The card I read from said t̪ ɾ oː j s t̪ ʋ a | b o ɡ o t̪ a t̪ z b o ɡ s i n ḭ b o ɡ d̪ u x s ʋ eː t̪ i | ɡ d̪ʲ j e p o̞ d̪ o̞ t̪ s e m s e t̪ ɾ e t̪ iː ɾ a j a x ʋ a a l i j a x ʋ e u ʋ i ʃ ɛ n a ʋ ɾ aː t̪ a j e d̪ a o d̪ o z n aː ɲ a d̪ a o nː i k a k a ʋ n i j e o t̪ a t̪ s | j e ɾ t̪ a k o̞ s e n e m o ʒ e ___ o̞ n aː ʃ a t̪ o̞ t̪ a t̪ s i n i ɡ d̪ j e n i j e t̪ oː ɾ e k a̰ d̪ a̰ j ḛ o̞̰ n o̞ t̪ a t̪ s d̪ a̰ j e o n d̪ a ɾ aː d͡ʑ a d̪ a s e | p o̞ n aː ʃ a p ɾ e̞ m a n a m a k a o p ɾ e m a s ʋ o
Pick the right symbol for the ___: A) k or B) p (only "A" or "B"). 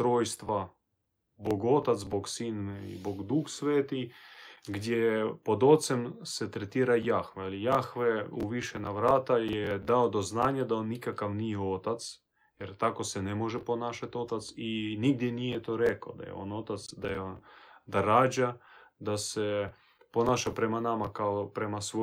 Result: B